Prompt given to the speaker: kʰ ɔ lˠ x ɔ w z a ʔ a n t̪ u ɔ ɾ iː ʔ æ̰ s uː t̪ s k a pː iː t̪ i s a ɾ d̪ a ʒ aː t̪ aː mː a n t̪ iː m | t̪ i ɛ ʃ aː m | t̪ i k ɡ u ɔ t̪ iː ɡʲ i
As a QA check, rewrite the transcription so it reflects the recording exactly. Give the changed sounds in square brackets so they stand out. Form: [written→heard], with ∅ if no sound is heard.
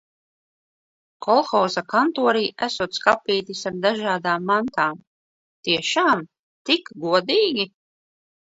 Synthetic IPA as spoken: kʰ ɔ lˠ x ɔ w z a [ʔ→k] a n t̪ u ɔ ɾ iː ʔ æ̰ s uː t̪ s k a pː iː t̪ i s a ɾ d̪ a ʒ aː [t̪→d̪] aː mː a n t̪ [iː→aː] m | t̪ i ɛ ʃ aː m | t̪ i k ɡ u ɔ [t̪→d̪] iː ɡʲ i